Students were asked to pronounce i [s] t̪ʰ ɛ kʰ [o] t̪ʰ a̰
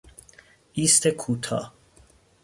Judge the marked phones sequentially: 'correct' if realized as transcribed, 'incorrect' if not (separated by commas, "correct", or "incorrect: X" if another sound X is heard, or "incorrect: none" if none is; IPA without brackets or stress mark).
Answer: correct, incorrect: u